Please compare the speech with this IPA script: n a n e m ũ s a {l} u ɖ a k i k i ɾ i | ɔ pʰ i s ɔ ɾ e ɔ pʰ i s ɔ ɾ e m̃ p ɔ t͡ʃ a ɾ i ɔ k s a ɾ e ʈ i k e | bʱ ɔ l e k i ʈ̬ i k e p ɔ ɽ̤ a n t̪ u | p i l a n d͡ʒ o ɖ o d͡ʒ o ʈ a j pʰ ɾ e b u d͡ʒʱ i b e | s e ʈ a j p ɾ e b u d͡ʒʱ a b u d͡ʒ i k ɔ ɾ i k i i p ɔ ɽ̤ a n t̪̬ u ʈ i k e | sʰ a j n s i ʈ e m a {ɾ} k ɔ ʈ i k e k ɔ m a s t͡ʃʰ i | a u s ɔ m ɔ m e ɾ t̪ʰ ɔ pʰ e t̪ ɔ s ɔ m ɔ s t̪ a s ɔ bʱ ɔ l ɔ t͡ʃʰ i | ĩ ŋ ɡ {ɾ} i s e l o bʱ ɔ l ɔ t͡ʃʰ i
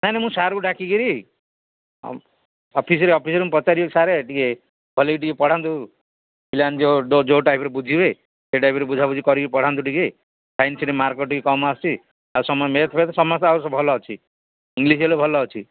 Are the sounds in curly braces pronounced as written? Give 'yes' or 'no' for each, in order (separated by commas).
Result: no, yes, no